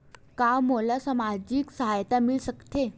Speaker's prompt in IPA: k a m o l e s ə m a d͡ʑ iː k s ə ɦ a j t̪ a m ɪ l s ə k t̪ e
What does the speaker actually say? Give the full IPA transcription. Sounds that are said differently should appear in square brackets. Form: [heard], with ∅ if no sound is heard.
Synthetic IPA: k a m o l [a] s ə m a d͡ʑ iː k s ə ɦ a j t̪ a m [i] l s ə k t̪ e